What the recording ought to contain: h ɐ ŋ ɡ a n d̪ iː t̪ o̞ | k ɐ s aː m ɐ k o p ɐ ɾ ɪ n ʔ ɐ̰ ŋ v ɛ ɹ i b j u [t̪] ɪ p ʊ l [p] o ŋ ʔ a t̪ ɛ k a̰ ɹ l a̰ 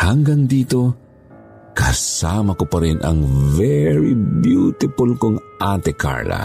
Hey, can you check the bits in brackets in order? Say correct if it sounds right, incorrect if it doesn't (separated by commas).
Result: correct, incorrect